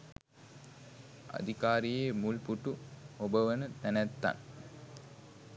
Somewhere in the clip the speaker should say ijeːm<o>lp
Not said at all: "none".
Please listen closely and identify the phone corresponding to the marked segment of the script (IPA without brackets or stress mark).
u